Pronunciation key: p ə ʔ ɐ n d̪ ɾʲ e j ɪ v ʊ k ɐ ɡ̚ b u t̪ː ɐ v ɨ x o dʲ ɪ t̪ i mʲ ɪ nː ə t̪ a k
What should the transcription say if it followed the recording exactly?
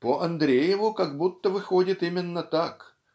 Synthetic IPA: p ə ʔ ɐ n d̪ ɾʲ e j ɪ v ʊ k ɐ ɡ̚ b u t̪ː ə v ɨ x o dʲ ɪ t̪ i mʲ ɪ nː ə t̪ a k

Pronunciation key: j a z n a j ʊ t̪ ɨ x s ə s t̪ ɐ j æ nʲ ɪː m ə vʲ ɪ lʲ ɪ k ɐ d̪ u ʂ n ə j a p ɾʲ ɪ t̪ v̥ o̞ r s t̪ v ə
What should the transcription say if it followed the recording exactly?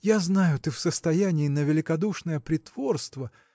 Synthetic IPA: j a z n a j ʊ t̪ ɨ f s ə s t̪ ɐ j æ nʲ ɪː n ə vʲ ɪ lʲ ɪ k ɐ d̪ u ʂ n ə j ə p ɾʲ ɪ t̪ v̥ o̞ r s t̪ v ə

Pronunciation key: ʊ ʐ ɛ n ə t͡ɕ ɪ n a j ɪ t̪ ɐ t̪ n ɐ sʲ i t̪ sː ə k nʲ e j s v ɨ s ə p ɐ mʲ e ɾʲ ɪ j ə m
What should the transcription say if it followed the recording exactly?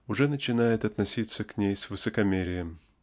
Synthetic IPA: ʊ ʐ ɛ n ə t͡ɕ ɪ n a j ɪ t̪ ɐ t̪ n ɐ sʲ i t̪ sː ə k nʲ e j s v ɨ s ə k ɐ mʲ e ɾʲ ɪ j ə m

